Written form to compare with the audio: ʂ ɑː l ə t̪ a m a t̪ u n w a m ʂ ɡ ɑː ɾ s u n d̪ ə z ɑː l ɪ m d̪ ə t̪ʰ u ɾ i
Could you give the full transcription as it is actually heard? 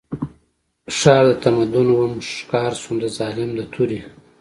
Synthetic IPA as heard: ʂ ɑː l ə t̪ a m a d̪ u n w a m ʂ k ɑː ɾ s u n d̪ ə z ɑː l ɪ m d̪ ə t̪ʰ u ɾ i

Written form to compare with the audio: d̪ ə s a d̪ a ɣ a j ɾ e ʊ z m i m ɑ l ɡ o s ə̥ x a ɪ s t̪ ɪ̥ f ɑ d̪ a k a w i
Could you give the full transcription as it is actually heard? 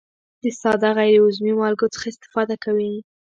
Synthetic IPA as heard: d̪ ə s ɑ d̪ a ɣ a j ɾ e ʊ z m i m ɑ l ɡ o t͡s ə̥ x a ɪ s t̪ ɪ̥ f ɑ d̪ a k a w i

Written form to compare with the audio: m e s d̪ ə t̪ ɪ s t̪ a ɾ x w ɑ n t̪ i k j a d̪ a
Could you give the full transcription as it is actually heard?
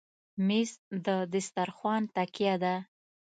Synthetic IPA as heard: m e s d̪ ə d̪ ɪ s t̪ a ɾ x w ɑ n t̪ a k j a d̪ a

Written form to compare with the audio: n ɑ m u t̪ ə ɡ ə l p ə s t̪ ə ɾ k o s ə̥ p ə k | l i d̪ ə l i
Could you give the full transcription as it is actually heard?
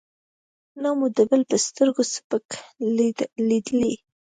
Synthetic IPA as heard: n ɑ m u d̪ ə b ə l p ə s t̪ ə ɾ ɡ o s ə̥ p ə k | l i d̪ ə l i

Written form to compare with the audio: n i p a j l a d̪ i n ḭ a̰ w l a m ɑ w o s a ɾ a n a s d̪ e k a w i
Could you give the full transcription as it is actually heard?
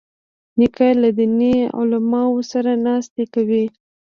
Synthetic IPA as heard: n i k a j l a d̪ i n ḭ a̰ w l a m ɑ w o s a ɾ a n ɑ s t̪ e k a w i

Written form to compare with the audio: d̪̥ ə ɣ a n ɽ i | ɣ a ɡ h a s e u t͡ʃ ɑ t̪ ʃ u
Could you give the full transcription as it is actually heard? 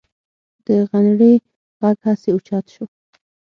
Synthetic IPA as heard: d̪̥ ə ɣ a n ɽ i | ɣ a ɡ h a s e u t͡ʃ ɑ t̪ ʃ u

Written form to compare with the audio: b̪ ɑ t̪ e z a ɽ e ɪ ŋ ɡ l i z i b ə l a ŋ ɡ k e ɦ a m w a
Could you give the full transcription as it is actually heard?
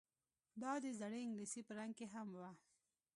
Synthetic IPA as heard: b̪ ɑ d̪ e z a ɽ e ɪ ŋ ɡ l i s i p ə ɾ a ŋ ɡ k e ɦ a m w a

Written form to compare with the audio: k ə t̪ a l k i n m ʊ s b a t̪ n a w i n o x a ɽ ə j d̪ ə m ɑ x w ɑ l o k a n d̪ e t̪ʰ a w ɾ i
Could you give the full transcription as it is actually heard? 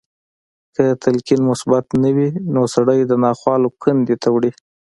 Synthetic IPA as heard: k ə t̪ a l k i n m ʊ s b a t̪ n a w i n o s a ɽ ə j d̪ ə n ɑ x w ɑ l o k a n d̪ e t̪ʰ a w ɽ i

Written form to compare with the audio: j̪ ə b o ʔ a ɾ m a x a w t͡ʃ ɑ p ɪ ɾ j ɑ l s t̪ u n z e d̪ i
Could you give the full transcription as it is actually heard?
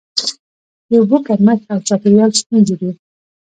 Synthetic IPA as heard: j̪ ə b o k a ɾ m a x a w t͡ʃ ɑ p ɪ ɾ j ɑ l s t̪ u n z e d̪ i

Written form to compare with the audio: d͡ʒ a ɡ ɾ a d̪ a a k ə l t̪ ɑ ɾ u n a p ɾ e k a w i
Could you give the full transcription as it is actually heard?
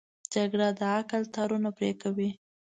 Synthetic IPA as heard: d͡ʒ a ɡ ɽ a d̪ ə a k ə l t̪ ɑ ɾ u n a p ɾ e k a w i

